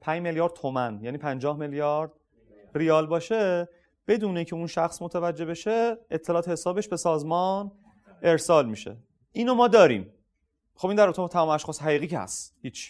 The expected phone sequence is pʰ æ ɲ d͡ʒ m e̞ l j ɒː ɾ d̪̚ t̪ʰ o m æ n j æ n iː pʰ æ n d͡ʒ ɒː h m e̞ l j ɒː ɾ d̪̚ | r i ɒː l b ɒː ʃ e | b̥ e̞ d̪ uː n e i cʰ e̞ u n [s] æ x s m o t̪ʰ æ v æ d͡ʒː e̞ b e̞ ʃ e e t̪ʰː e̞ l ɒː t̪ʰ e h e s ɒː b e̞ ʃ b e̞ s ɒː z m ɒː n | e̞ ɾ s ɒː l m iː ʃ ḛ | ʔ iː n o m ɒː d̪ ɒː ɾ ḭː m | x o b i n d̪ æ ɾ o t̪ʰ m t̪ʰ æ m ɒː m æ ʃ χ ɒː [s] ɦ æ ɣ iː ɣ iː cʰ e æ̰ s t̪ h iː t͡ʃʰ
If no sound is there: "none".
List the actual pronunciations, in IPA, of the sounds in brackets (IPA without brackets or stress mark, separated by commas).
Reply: ʃ, s